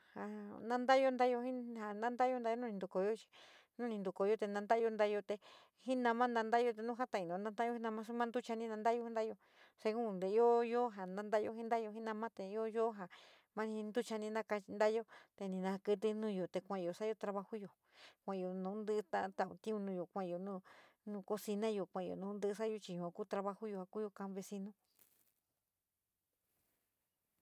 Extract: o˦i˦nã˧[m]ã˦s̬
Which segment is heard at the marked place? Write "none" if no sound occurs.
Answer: m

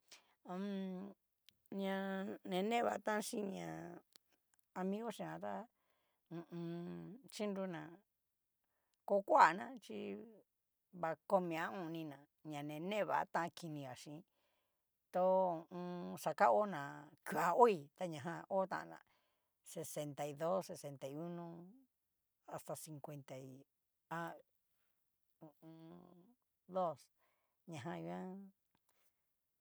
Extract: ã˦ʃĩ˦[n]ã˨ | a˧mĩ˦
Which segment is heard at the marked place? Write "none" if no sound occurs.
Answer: ɲ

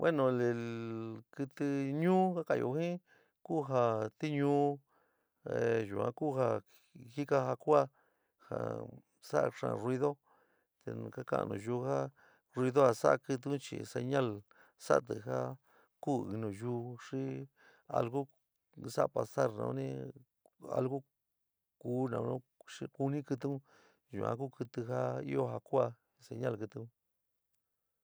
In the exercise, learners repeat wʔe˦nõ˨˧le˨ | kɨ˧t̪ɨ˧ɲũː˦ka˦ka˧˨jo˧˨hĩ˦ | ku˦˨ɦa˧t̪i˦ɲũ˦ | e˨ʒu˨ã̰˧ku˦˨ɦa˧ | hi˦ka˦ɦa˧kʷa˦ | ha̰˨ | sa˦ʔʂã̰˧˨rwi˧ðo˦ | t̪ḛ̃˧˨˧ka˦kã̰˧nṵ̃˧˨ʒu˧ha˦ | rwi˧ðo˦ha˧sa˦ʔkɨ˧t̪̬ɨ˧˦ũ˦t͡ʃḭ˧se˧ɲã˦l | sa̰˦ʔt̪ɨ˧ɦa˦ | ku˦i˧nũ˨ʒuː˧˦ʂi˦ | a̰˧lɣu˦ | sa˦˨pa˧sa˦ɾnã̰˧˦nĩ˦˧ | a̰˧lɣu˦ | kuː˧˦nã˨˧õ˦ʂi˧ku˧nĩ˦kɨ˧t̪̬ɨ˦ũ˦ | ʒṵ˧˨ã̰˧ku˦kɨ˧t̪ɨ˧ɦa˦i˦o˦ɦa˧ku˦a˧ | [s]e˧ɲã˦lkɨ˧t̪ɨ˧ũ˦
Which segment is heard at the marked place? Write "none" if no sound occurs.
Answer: s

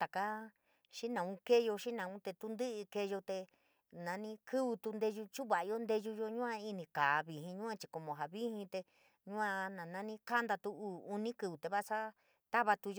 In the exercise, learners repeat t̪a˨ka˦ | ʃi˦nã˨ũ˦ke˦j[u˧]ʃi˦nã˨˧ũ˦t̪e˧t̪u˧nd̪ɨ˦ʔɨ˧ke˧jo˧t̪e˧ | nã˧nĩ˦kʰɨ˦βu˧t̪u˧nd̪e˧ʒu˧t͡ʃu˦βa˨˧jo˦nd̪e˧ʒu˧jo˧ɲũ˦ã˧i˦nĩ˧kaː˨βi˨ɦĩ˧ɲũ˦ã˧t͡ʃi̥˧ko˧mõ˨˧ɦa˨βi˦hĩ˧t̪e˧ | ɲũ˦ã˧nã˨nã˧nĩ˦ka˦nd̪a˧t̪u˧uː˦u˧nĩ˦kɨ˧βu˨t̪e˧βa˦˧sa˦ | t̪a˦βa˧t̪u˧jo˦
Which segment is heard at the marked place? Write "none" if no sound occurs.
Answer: o˧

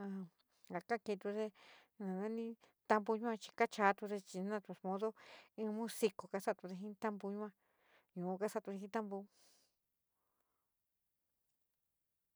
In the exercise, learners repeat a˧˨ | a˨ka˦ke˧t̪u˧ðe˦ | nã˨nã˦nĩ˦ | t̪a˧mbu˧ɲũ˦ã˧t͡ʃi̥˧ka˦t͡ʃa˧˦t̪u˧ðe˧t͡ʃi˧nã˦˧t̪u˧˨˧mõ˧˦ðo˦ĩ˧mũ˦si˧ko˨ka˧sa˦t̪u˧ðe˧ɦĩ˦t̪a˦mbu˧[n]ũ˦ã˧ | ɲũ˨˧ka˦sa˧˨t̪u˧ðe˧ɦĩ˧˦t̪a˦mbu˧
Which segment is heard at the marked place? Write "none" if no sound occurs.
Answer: ɲ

